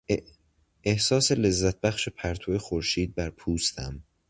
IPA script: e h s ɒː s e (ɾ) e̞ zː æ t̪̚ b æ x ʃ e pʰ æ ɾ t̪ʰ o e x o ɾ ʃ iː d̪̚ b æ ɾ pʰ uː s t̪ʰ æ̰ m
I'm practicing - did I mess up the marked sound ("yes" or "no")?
yes